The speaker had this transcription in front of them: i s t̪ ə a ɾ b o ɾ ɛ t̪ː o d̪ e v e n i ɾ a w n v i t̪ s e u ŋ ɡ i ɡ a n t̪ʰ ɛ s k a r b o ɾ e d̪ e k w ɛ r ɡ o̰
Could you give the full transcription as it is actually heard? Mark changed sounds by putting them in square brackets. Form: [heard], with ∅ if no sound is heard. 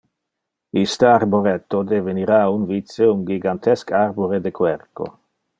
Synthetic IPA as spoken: i s t̪ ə a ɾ b o ɾ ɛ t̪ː o d̪ e v e n i ɾ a [u] n v i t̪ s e u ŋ ɡ i ɡ a n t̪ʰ ɛ s k a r b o ɾ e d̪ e k w ɛ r [k] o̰